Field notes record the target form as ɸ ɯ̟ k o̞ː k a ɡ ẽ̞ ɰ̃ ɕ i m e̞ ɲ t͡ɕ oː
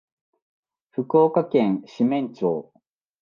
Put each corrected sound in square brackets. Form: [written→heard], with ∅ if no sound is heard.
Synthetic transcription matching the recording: ɸ ɯ̟ k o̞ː k a [ɡ→k] ẽ̞ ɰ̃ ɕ i m [e̞→ẽ̞] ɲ t͡ɕ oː